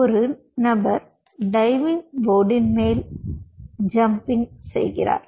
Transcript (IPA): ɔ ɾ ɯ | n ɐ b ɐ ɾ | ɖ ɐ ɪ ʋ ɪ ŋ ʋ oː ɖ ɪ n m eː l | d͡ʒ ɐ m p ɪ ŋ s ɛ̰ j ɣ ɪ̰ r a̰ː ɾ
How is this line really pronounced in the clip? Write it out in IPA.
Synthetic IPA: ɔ ɾ ɯ | n ɐ b ɐ ɾ | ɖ ɐ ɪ ʋ ɪ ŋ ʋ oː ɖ ɪ n m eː l | d͡ʒ ɐ m p ɪ ŋ s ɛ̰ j ɣ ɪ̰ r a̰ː ɾ